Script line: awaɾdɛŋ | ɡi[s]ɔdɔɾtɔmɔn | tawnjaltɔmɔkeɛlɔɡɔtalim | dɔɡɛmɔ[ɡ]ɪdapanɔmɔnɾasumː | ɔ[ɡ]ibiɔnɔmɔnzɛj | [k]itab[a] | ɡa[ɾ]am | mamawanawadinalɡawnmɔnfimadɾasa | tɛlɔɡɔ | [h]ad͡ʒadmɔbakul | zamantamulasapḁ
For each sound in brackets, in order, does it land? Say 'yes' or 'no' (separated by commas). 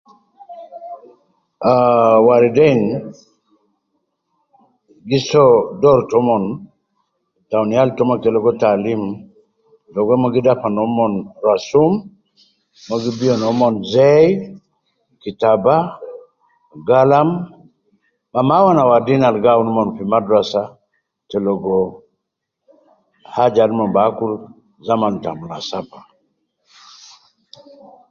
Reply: yes, yes, yes, yes, yes, no, yes